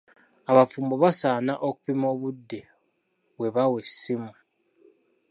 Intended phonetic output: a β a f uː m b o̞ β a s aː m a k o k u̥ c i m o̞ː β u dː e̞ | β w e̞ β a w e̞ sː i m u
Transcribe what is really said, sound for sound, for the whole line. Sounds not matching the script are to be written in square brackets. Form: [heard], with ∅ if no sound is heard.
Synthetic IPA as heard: a β a f uː m b o̞ β a s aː [n] a [ʔ] o k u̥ [p] i m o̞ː β u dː e̞ | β w e̞ β a w e̞ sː i m u